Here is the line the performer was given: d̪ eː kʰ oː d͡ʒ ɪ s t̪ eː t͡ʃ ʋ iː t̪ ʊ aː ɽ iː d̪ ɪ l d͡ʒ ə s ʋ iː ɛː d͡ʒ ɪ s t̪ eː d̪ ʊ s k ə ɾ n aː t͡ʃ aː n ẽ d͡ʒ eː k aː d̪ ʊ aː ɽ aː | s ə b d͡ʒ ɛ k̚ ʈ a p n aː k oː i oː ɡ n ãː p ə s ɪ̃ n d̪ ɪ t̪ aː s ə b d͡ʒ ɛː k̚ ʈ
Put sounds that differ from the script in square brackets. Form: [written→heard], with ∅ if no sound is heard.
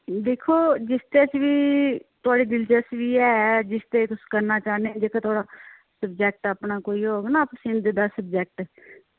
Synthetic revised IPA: d̪ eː kʰ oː d͡ʒ ɪ s t̪ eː t͡ʃ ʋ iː t̪ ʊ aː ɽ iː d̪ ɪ l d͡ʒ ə s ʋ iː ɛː d͡ʒ ɪ s t̪ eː [d̪→t̪] ʊ s k ə ɾ n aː t͡ʃ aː n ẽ d͡ʒ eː k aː [d̪→t̪] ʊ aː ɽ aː | s ə b d͡ʒ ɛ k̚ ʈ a p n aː k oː i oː ɡ n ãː p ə s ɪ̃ n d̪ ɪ [t̪→d̪] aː s ə b d͡ʒ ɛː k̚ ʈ